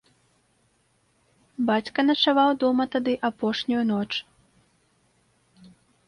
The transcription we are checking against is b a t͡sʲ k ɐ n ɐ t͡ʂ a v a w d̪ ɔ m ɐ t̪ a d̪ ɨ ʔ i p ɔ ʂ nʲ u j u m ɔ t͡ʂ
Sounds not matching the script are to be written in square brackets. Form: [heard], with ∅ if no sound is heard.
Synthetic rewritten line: b a t͡sʲ k ɐ n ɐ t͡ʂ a v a w d̪ ɔ m ɐ t̪ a d̪ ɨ ʔ [a] p ɔ ʂ nʲ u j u [n] ɔ t͡ʂ